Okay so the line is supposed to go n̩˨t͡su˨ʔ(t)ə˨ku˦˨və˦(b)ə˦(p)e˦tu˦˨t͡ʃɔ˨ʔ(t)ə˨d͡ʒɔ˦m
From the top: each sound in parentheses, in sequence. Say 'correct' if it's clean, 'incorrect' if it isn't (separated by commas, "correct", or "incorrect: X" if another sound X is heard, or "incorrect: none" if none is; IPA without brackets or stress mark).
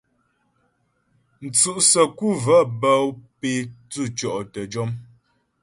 incorrect: s, correct, correct, correct